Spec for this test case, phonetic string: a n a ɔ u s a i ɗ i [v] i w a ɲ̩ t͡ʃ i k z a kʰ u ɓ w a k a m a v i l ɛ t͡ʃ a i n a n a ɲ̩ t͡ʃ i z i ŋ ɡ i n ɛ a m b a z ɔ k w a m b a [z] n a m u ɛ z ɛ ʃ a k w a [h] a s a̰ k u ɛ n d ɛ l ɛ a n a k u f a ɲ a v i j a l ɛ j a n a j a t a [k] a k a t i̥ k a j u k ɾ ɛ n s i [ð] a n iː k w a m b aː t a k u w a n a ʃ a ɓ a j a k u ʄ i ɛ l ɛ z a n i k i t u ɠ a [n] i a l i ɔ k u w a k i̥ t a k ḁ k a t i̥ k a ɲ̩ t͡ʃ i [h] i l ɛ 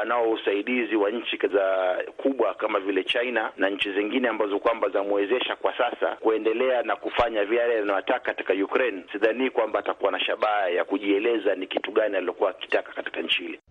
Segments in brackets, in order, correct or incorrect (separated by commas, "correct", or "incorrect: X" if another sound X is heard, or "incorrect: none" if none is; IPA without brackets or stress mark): incorrect: z, correct, incorrect: s, correct, correct, correct, correct